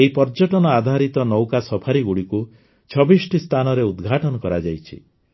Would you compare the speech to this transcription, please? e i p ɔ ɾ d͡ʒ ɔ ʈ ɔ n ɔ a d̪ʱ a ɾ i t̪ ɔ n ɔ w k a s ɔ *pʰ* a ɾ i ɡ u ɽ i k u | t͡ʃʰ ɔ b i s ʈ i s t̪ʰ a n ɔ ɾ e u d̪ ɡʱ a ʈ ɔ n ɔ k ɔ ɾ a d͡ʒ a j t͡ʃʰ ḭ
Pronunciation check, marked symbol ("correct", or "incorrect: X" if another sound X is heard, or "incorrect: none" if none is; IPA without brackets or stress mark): correct